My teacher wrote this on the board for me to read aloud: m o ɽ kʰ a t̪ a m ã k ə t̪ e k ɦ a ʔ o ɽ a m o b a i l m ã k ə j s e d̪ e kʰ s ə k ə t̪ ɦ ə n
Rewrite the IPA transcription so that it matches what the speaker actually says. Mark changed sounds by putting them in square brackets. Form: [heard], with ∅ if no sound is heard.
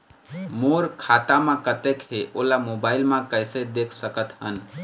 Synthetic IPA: m o [ɾ] kʰ a t̪ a m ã k ə t̪ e k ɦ [e] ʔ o [l] a m o b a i l m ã k ə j s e d̪ e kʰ s ə k ə t̪ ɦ ə n